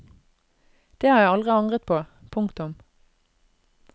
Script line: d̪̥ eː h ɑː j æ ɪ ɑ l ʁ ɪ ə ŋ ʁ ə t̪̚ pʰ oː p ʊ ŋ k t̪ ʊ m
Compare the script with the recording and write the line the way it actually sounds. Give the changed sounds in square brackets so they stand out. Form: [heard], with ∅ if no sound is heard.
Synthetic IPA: d̪̥ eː h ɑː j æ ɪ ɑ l ʁ ɪ [ɑ] ŋ ʁ ə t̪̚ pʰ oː [pʰ] ʊ ŋ k t̪ ʊ m

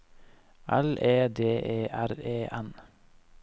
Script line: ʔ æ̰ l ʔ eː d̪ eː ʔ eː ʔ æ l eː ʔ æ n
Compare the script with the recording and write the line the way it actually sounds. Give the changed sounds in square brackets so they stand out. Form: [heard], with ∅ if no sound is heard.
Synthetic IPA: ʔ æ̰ l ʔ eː d̪ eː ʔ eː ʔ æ [ɾ] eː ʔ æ n

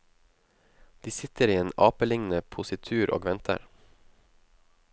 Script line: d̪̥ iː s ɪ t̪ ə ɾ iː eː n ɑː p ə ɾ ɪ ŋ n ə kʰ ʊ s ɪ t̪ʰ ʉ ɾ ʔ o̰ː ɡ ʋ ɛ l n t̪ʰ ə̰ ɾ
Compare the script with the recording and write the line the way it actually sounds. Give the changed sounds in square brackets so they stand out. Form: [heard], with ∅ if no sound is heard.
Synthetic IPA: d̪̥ iː s ɪ t̪ ə ɾ iː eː n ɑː p ə [l] ɪ ŋ n ə [pʰ] ʊ s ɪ t̪ʰ [ʉː] ɾ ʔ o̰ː ɡ ʋ ɛ [∅] n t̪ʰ ə̰ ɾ

